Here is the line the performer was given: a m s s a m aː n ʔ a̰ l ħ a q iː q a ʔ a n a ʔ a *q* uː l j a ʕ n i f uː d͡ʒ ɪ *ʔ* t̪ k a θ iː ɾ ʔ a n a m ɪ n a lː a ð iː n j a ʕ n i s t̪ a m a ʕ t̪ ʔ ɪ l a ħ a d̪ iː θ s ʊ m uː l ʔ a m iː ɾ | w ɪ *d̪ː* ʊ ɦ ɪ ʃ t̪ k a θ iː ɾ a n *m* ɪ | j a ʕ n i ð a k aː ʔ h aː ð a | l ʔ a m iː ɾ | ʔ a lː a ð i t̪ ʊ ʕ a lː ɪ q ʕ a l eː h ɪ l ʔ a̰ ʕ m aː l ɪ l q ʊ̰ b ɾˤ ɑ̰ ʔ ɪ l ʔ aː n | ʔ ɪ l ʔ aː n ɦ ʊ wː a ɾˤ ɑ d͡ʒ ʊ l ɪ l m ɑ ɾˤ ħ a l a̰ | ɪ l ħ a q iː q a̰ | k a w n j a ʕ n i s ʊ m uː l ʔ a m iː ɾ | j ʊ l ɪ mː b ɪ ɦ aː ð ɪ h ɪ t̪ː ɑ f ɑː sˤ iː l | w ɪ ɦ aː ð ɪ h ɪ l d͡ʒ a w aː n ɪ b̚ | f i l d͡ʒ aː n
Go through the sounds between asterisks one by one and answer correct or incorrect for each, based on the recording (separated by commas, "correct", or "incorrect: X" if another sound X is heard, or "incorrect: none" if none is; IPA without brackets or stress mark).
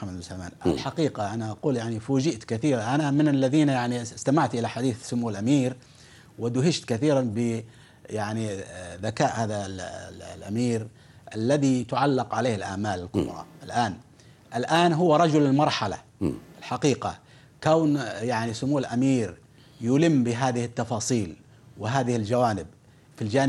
correct, correct, incorrect: d̪, incorrect: b